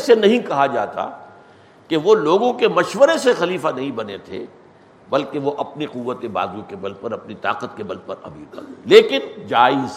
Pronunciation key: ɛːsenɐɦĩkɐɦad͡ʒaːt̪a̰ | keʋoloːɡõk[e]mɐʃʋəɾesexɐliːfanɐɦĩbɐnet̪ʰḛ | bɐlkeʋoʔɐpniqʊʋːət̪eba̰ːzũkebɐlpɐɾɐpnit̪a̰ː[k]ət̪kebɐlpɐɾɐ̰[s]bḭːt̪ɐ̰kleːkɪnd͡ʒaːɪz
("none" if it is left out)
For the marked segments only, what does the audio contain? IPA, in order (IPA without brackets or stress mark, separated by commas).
e, q, none